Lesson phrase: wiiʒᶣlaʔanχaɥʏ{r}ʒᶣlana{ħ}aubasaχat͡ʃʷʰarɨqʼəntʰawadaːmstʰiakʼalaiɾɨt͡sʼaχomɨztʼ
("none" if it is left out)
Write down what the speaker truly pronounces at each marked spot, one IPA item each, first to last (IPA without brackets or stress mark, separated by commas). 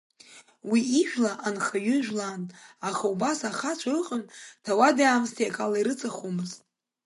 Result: none, χ